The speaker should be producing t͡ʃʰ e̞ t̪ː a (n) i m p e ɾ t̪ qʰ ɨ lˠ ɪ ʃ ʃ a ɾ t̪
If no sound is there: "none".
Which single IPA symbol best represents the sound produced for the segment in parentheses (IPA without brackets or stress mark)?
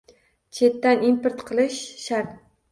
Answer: n